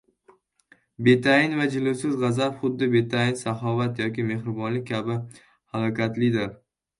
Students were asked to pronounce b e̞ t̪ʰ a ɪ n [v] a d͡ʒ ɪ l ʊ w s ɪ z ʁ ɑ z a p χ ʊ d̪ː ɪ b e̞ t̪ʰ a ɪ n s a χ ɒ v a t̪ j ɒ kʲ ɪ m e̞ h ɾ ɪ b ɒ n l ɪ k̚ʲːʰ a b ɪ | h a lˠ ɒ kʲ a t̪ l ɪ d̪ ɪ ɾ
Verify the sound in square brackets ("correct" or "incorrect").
correct